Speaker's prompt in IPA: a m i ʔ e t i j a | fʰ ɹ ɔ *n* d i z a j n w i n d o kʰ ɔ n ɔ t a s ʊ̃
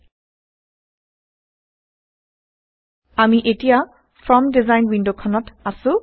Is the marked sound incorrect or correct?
incorrect: m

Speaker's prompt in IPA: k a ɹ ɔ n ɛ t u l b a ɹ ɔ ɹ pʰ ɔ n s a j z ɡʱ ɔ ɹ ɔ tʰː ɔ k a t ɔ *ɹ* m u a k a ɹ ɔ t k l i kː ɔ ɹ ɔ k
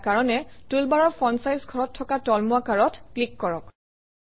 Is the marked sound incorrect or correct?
incorrect: l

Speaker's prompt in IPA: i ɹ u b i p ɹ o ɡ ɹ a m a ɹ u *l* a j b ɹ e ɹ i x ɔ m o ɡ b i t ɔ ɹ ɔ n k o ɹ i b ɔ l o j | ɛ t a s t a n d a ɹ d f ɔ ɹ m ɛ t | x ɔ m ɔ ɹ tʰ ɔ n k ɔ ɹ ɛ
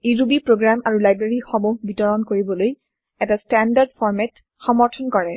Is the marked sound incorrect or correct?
correct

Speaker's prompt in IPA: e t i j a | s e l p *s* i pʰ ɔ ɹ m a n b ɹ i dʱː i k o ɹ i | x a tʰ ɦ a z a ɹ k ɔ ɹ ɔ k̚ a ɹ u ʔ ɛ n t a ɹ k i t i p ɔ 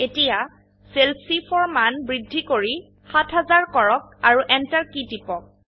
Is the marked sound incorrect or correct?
correct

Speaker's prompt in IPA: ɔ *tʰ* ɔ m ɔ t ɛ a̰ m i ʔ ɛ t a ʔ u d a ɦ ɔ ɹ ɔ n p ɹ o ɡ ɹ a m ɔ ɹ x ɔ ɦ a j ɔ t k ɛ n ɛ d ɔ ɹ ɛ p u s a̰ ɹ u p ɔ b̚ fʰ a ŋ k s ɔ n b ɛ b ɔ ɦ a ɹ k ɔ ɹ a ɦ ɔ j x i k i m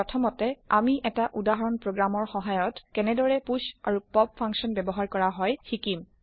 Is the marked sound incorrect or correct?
correct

